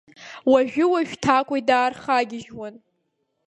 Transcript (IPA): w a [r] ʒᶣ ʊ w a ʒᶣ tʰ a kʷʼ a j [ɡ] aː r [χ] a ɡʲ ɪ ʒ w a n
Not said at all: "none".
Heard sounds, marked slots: none, d, χ

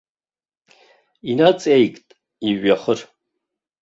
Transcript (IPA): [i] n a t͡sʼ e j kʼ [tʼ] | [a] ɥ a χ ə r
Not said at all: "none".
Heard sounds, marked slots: i, tʼ, i

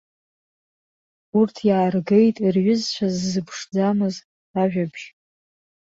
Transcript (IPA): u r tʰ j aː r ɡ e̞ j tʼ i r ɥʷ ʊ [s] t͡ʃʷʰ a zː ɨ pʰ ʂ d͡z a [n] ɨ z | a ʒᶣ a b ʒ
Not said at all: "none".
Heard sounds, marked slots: z, m

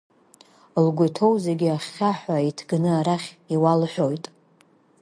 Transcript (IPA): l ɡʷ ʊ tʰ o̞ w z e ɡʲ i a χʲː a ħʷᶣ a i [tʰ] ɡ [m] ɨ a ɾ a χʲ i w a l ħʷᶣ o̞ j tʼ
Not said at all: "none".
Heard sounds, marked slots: tʰ, n

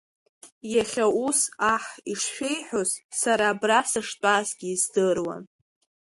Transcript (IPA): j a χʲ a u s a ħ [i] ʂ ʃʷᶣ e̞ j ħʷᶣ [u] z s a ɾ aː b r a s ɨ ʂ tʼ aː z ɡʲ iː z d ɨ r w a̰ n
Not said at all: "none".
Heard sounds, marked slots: i, o

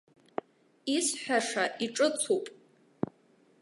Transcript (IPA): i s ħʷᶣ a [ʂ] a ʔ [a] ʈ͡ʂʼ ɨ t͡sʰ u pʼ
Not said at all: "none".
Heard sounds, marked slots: ʂ, i

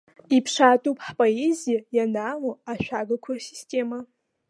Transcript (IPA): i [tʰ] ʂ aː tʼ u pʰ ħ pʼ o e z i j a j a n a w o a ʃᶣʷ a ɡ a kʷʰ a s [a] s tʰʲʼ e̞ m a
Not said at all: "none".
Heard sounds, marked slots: pʰ, i

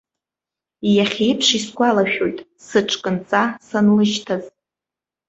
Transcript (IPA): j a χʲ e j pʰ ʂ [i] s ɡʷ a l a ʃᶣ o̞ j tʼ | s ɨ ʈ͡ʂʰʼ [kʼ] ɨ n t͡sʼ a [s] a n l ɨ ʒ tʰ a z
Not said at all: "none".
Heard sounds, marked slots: i, kʼ, s

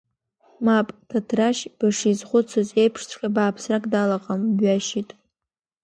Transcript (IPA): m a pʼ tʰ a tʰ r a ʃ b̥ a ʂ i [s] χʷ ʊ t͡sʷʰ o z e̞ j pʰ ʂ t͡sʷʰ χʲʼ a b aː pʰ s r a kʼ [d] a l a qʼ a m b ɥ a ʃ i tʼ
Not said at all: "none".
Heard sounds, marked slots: z, d

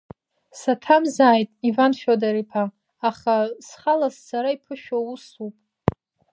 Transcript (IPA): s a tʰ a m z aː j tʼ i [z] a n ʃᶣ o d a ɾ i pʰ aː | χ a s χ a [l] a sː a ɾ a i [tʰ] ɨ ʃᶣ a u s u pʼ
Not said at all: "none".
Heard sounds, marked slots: v, l, pʰ

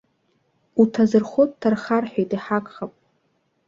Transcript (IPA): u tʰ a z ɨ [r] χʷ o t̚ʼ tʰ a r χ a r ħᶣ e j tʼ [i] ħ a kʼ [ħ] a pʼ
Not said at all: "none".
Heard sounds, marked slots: r, i, χ

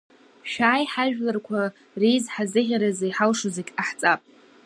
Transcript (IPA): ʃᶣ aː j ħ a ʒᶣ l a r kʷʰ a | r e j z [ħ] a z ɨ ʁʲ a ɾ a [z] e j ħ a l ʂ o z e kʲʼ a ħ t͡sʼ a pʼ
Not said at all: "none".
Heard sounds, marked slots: ħ, z

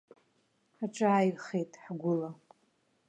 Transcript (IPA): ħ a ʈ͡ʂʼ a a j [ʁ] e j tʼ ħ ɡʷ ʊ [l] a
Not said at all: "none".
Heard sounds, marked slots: χ, l

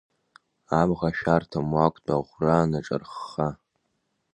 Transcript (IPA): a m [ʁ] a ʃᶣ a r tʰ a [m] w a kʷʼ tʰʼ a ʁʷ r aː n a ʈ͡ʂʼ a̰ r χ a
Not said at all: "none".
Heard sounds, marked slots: ʁ, m

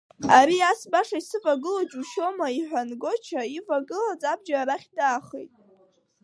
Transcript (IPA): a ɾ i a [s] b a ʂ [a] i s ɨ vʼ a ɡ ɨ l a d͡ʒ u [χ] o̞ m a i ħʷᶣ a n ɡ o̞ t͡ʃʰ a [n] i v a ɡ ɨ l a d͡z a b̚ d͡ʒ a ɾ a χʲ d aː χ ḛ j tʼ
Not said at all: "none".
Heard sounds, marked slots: s, a, ʃ, none

